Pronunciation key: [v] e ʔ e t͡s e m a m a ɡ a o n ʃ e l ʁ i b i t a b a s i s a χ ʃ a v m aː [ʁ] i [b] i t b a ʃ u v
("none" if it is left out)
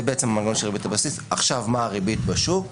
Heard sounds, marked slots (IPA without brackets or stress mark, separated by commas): b, ʁ, b